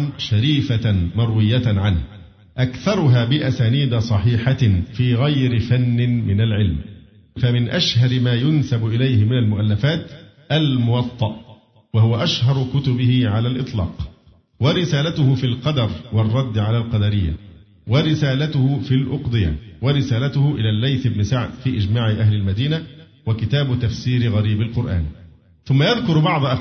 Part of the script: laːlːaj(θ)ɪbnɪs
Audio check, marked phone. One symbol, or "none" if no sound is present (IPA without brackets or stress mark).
θ